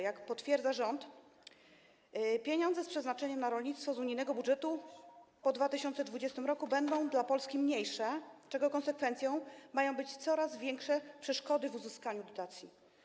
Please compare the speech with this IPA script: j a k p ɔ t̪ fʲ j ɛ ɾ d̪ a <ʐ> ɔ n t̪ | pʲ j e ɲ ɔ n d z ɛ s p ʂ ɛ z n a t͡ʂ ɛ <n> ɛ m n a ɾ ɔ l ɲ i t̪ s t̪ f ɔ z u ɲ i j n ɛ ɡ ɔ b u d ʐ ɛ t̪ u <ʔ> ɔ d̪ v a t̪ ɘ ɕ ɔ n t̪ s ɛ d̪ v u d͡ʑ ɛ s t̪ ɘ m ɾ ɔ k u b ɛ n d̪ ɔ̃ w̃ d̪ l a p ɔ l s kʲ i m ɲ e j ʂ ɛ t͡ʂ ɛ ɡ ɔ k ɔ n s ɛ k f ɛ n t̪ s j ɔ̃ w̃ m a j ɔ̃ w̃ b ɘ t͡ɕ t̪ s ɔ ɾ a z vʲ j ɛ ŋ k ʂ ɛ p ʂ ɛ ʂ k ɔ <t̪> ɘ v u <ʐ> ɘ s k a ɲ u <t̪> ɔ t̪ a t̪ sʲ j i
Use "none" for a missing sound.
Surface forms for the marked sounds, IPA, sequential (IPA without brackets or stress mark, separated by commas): ʐ, ɲ, p, d̪, z, d̪